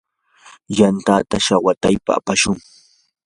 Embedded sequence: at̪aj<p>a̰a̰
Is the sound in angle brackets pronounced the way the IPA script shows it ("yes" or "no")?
yes